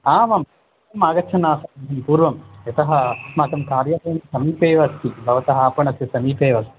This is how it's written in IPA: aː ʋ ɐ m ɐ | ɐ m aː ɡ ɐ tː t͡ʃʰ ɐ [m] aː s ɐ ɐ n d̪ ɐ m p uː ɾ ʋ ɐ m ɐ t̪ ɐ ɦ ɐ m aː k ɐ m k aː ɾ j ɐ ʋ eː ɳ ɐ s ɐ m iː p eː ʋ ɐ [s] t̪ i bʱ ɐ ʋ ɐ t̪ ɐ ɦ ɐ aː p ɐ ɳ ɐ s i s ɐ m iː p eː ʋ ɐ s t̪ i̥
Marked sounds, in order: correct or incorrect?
incorrect, correct

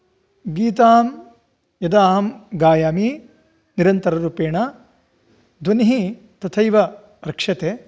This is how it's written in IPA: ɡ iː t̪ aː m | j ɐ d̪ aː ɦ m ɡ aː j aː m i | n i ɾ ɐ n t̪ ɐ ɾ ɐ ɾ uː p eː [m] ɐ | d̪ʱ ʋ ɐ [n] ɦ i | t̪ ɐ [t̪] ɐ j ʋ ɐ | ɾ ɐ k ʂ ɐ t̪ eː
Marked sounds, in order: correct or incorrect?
incorrect, correct, incorrect

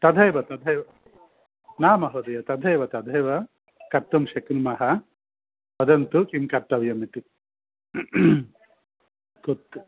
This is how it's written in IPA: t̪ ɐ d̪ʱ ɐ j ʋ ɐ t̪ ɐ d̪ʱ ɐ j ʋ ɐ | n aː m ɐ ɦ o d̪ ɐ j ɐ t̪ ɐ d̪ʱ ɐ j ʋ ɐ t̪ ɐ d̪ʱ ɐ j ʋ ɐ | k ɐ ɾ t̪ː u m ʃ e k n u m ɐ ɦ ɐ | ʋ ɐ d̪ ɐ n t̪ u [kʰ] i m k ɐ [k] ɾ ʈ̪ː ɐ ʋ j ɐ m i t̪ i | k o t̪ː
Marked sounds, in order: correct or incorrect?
incorrect, incorrect

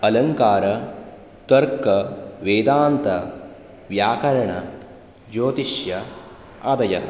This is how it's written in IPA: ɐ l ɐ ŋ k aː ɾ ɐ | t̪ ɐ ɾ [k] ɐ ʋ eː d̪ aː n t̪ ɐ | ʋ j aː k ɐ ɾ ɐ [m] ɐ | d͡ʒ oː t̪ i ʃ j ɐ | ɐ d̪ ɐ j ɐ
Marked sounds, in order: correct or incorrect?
correct, incorrect

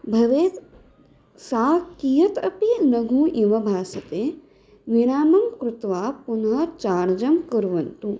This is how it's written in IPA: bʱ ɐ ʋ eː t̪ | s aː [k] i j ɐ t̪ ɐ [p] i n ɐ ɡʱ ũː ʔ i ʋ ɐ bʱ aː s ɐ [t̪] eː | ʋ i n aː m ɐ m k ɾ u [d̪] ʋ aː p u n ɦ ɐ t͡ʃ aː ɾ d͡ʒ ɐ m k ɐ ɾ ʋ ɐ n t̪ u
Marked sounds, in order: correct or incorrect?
correct, correct, correct, incorrect

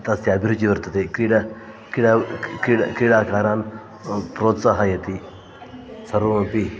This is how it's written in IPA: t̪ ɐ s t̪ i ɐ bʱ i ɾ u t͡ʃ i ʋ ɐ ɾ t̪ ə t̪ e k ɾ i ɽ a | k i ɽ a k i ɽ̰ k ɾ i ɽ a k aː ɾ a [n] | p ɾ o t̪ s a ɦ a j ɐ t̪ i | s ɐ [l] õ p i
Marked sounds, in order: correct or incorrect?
correct, incorrect

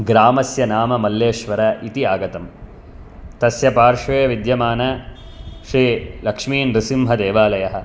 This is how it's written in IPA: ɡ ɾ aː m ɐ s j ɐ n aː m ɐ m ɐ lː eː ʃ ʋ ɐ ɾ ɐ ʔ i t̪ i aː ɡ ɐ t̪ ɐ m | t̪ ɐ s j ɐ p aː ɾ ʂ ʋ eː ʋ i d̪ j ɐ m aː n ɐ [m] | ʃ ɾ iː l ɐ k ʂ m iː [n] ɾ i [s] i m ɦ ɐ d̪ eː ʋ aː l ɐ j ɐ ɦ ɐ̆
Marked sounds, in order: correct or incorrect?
incorrect, correct, correct

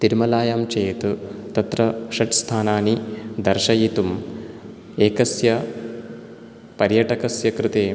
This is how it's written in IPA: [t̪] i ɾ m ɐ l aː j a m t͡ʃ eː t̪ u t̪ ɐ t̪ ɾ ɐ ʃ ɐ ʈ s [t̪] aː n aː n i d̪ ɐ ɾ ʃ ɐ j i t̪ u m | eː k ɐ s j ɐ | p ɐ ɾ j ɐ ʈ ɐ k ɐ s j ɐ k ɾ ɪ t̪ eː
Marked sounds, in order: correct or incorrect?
correct, incorrect

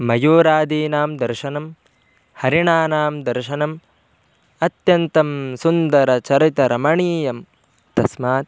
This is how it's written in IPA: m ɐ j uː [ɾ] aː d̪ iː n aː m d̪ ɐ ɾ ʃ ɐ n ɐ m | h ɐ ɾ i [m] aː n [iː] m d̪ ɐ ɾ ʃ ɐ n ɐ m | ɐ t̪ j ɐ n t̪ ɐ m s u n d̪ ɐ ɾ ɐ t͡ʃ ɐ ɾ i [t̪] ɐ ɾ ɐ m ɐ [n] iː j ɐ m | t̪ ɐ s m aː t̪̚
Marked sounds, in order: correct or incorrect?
correct, incorrect, incorrect, correct, incorrect

